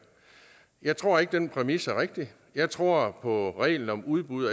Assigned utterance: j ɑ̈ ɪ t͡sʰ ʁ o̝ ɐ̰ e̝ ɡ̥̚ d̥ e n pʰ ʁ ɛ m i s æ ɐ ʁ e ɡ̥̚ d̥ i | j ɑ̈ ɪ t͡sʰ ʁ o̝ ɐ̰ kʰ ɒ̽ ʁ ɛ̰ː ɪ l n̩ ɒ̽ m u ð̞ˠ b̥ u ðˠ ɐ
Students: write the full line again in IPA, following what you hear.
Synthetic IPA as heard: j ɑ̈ ɪ t͡sʰ ʁ o̝ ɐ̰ e̝ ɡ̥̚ d̥ e n pʰ ʁ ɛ m i s æ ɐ ʁ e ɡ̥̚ d̥ i | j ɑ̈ ɪ t͡sʰ ʁ o̝ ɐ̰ pʰ ɒ̽ ʁ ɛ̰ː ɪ l n̩ ɒ̽ m u ð̞ˠ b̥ u ðˠ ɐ